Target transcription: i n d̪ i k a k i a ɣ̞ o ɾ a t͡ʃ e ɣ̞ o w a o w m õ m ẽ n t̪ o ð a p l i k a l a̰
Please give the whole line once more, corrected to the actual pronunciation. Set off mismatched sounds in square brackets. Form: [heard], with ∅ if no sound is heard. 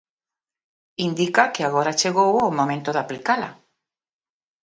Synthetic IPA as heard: i n d̪ i k a k [e] a ɣ̞ o ɾ a t͡ʃ e ɣ̞ o w a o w m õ m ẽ n t̪ o ð a p l i k a l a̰